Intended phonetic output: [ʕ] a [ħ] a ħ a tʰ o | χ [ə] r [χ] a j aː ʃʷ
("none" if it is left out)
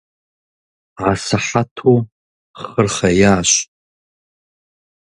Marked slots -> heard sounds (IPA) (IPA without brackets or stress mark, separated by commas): ʕ, s, ə, χ